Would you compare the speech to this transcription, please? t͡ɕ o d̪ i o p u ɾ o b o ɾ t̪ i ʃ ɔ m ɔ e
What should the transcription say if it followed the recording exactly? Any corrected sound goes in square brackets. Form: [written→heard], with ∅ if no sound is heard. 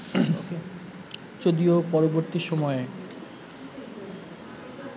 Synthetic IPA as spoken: t͡ɕ o d̪ i o p [u→ɔ] ɾ o b o ɾ t̪ i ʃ ɔ m ɔ e

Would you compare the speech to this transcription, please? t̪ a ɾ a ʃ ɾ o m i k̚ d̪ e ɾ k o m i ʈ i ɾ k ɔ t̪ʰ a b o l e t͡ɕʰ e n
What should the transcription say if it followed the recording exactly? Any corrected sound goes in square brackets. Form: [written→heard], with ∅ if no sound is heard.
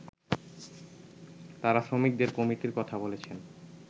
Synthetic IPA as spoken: t̪ a ɾ a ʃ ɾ o m i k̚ d̪ e ɾ k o m i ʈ i ɾ k ɔ t̪ʰ a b o l e t͡ɕʰ e n

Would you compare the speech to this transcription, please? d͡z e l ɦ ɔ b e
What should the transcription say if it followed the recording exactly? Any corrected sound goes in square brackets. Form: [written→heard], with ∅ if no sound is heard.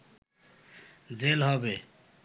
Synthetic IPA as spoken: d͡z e l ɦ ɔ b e

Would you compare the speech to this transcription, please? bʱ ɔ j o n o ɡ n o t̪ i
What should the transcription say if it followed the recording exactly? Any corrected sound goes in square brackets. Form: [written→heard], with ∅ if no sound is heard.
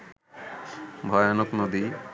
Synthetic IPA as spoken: bʱ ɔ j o n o [ɡ→k] n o [t̪→d̪] i

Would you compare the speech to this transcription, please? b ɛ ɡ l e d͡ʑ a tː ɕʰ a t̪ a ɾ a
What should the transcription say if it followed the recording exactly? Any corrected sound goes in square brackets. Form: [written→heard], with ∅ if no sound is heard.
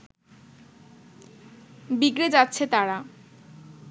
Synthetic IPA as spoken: b [ɛ→i] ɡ [l→ɾ] e d͡ʑ a tː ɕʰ [a→e] t̪ a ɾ a

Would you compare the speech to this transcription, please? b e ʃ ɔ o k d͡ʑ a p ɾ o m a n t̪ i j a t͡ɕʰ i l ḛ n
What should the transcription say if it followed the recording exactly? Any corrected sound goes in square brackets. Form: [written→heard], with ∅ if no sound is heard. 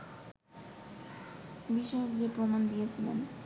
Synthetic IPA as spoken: b [e→i] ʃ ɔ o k d͡ʑ [a→e] p ɾ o m a n [t̪→d̪] i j [a→e] t͡ɕʰ i l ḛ n

